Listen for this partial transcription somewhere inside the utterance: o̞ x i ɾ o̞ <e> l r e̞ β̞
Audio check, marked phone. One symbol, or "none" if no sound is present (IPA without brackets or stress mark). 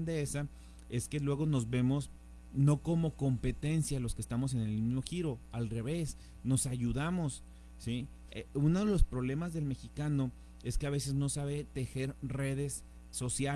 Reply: a